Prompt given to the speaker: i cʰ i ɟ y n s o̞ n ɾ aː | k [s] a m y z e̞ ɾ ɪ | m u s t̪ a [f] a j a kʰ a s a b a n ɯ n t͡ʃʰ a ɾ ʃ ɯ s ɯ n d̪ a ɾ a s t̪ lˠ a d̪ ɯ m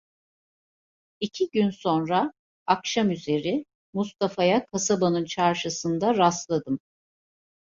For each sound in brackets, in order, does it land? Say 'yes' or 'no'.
no, yes

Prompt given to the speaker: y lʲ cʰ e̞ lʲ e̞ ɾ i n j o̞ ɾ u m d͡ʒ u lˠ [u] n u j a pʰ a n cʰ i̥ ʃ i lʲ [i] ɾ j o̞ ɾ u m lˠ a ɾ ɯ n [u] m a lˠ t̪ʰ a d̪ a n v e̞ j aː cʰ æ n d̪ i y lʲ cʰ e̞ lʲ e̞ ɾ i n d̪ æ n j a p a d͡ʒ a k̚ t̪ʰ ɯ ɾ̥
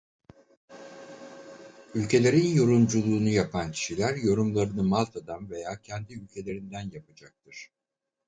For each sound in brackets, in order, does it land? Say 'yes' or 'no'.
no, no, no

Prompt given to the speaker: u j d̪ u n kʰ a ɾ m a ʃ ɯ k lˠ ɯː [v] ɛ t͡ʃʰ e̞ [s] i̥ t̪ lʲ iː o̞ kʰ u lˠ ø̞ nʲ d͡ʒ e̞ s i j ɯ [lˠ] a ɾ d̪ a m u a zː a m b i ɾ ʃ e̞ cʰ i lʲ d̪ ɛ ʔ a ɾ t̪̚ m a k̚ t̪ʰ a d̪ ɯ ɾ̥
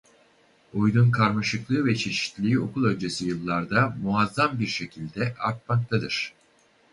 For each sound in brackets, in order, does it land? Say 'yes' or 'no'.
yes, no, no

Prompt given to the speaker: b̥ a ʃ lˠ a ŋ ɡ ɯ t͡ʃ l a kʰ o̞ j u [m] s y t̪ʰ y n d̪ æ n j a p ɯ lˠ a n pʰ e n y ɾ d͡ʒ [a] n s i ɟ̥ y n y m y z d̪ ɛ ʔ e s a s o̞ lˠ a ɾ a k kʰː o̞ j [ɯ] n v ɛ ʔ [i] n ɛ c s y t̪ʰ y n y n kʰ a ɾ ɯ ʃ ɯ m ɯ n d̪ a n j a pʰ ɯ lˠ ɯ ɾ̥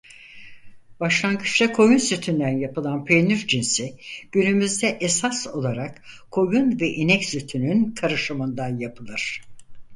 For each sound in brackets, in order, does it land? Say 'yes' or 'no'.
no, no, no, yes

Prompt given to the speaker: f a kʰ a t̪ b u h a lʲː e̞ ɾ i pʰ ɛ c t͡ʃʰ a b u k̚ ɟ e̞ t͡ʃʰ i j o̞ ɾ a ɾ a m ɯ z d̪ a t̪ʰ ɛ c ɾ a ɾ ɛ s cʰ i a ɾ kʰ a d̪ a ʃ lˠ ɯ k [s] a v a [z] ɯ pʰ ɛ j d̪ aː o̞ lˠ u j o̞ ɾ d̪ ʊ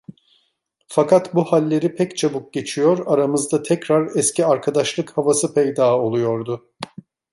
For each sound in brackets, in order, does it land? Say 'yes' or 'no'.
no, no

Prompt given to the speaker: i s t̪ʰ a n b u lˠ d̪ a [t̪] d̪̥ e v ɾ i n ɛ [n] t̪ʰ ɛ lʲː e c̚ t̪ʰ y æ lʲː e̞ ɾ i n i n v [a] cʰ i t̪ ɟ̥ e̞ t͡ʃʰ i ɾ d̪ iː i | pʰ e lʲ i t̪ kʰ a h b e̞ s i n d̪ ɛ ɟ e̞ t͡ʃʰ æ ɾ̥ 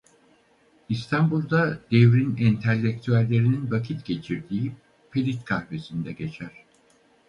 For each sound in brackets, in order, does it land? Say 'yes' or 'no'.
no, yes, yes

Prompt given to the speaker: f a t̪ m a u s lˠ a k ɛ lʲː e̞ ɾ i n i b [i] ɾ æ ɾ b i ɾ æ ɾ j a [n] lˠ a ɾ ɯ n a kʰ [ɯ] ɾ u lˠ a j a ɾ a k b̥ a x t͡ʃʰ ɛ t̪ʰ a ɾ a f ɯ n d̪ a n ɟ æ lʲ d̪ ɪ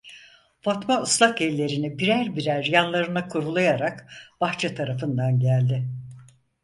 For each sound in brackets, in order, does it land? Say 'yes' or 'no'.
yes, yes, no

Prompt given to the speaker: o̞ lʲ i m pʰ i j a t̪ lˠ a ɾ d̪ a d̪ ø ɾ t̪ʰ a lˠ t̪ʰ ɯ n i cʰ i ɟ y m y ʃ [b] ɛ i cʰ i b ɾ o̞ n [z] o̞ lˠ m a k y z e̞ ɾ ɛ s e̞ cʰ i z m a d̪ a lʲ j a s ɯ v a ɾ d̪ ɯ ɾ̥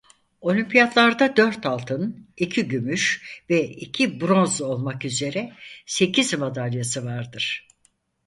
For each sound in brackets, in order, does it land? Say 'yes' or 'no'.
no, yes

